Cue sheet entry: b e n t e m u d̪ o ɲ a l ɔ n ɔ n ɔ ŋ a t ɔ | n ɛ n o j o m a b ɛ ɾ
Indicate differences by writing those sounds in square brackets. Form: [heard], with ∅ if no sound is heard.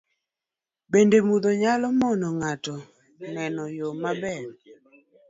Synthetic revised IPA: b e n [d] e m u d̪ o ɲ a l ɔ [m] ɔ n ɔ ŋ a t ɔ | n ɛ n [ɔ] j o m a b ɛ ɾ